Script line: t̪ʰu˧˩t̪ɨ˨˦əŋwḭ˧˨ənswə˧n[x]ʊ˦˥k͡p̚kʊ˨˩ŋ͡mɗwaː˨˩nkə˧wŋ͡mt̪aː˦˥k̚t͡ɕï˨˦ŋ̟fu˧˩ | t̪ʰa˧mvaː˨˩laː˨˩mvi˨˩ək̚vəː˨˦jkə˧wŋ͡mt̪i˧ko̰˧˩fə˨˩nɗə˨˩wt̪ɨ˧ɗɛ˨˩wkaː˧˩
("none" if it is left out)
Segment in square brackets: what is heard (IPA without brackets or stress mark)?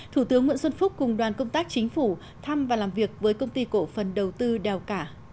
f